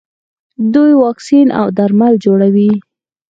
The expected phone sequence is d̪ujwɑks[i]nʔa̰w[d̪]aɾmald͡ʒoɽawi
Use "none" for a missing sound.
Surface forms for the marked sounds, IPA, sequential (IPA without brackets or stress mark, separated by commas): i, d̪